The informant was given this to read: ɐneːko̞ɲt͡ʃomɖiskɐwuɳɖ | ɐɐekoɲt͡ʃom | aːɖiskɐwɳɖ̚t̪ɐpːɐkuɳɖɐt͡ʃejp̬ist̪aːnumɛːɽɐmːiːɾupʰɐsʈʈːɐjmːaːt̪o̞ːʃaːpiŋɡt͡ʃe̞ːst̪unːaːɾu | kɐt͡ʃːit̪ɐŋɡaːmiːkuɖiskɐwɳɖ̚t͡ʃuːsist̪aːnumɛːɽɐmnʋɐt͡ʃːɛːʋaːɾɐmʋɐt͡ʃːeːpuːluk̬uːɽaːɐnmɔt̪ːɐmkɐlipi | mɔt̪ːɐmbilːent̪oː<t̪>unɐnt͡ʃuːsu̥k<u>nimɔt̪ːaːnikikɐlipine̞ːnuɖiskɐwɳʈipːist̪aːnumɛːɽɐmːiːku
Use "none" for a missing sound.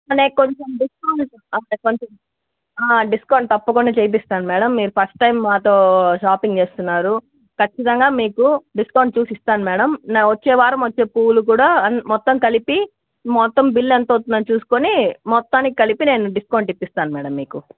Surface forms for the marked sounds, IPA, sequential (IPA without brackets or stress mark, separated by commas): t̪, o